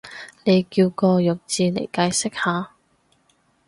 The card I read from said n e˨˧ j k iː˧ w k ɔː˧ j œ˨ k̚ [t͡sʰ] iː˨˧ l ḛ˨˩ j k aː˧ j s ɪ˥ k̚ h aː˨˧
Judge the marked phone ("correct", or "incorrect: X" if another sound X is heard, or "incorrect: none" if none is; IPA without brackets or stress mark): incorrect: t͡s